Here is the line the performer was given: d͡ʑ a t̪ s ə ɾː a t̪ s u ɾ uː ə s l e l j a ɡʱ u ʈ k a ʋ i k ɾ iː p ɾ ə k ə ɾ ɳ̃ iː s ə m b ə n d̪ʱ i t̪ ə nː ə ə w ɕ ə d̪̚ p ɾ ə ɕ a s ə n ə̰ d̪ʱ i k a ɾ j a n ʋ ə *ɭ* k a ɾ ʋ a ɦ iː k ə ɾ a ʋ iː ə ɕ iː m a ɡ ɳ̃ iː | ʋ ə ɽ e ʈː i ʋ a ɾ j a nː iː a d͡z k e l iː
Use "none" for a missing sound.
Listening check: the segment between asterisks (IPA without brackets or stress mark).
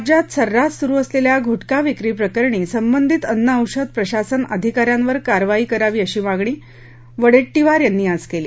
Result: ɾ